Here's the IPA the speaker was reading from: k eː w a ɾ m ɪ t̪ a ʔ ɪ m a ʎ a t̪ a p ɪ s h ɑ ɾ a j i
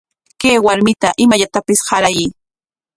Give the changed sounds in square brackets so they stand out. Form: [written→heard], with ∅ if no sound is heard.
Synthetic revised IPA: k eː w a ɾ m ɪ t̪ a ʔ ɪ m a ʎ a t̪ a p ɪ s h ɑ ɾ a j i